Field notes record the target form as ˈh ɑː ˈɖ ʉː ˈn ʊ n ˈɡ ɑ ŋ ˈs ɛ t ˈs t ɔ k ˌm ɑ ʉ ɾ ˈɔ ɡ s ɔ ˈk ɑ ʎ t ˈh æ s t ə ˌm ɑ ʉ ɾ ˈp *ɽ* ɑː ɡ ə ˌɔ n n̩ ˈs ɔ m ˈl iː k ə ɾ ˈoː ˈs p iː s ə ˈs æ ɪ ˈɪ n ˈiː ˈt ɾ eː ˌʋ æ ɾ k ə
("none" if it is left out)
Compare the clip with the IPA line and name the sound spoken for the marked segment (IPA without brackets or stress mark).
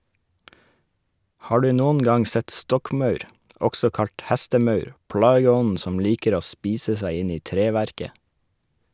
ɽ